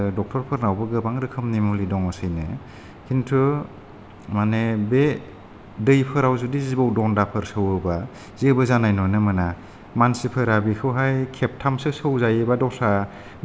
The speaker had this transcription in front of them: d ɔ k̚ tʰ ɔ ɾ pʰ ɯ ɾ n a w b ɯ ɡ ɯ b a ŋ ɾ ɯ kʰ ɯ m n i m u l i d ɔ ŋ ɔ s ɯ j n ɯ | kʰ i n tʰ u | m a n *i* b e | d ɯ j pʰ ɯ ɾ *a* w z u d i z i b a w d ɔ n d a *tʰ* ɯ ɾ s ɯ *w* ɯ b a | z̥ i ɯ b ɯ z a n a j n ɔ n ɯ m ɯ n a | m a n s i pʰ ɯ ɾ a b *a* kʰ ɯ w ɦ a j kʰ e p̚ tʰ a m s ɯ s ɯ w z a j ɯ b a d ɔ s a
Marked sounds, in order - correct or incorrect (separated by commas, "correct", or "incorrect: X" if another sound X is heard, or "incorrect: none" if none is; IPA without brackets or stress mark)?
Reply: incorrect: e, correct, incorrect: pʰ, correct, incorrect: i